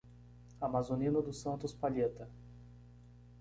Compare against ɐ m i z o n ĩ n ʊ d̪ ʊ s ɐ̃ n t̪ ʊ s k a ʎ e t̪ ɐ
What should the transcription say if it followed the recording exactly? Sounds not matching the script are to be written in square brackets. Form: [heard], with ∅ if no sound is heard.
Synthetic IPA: [a] m [a] z o n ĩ n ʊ d̪ ʊ s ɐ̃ n t̪ ʊ s [p] a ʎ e t̪ ɐ